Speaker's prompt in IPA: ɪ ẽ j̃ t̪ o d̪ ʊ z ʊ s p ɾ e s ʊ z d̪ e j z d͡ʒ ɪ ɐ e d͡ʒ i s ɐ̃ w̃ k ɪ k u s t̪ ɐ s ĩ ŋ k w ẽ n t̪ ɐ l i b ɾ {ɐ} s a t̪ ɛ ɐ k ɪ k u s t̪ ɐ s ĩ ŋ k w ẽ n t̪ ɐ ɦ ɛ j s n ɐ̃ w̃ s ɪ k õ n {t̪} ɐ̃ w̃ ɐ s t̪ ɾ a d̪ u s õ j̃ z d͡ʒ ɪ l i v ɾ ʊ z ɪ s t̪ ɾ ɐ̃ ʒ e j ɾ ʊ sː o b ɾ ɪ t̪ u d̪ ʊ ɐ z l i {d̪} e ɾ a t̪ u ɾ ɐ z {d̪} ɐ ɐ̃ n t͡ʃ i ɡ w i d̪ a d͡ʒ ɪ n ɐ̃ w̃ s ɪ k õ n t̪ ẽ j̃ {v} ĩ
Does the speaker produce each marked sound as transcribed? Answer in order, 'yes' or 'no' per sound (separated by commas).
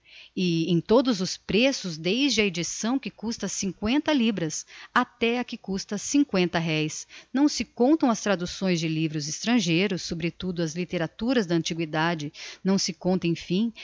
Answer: yes, yes, no, yes, no